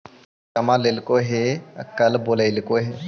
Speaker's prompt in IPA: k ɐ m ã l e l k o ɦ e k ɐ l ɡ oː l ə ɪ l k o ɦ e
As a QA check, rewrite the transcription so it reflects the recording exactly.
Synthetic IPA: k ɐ m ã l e l k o ɦ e k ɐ l b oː l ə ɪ l k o ɦ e